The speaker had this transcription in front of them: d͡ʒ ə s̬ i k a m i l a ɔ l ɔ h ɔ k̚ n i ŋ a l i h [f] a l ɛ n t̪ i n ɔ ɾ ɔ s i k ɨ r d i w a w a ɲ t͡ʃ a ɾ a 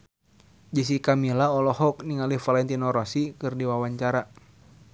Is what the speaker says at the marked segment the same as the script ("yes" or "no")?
yes